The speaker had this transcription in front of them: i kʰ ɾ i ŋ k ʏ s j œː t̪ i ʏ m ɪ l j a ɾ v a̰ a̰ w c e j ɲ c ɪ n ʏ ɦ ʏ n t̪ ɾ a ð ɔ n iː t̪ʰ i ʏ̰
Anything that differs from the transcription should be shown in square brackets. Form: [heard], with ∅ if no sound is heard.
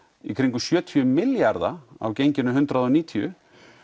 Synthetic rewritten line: i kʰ ɾ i ŋ k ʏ s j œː [t̪ʰ] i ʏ m ɪ l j a ɾ [ð] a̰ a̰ w c e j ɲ c ɪ n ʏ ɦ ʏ n t̪ ɾ a ð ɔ n iː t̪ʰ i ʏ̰